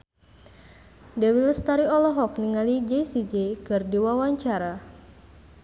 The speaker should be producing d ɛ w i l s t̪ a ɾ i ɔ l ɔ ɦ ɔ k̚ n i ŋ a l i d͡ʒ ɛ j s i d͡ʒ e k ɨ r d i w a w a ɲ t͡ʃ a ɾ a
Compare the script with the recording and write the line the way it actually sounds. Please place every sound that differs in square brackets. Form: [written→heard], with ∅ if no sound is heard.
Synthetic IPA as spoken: d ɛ w i l s t̪ a ɾ i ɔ l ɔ ɦ ɔ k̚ n i ŋ a l i d͡ʒ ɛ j s i d͡ʒ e k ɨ r d i w a w a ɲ t͡ʃ a ɾ a